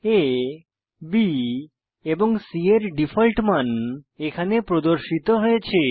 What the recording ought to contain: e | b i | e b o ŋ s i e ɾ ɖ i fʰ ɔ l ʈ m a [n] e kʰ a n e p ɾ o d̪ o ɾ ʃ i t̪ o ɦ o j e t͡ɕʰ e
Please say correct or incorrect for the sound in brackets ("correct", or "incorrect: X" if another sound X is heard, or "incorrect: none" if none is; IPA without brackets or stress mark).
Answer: correct